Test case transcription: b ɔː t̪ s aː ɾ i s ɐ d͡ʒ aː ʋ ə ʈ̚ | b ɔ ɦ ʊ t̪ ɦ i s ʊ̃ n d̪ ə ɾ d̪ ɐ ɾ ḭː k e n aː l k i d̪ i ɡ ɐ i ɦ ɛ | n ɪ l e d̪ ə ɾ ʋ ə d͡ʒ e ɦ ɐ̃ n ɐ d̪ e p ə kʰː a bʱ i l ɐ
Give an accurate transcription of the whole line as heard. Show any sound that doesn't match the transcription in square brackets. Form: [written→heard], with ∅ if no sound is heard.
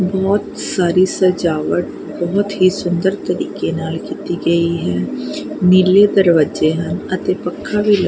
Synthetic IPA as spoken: b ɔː t̪ s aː ɾ i s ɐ d͡ʒ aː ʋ ə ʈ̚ | b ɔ ɦ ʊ t̪ ɦ i s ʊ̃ n d̪ ə ɾ [d̪→t̪] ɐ ɾ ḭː k e n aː l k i [d̪→t̪] i ɡ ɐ i ɦ ɛ | n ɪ l e d̪ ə ɾ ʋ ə d͡ʒ e ɦ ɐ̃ n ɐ [d̪→t̪] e p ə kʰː a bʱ i l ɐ